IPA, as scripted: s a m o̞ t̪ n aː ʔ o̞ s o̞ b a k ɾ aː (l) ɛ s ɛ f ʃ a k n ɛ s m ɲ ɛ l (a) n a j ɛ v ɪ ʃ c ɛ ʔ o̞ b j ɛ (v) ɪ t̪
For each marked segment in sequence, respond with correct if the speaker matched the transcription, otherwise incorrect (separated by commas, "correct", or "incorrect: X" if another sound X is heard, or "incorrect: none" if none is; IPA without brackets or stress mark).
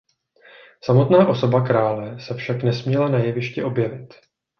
correct, correct, correct